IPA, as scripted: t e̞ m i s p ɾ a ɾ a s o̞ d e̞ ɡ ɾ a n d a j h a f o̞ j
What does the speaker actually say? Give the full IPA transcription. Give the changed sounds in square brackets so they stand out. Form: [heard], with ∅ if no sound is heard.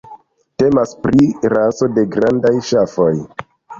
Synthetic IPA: t e̞ m [a] s p ɾ [i] ɾ a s o̞ d e̞ ɡ ɾ a n d a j [ʃ] a f o̞ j